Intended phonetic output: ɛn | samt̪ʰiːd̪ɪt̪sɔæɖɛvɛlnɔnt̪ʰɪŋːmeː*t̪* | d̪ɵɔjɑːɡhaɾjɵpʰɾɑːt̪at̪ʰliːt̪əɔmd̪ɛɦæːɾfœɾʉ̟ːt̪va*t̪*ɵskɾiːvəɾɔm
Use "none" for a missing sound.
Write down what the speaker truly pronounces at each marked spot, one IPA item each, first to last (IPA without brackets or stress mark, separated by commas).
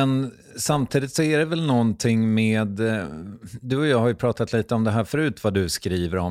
d̪, d̪